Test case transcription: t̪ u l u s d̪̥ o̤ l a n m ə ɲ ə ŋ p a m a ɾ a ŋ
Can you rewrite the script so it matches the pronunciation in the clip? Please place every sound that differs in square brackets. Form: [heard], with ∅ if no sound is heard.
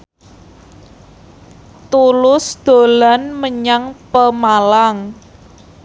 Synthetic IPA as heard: t̪ u l [ʊ] s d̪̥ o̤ l a n m ə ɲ [a] ŋ p [ə] m a [l] a ŋ